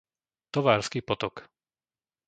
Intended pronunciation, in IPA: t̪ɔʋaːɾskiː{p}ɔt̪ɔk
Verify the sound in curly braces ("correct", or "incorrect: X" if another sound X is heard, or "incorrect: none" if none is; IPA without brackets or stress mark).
correct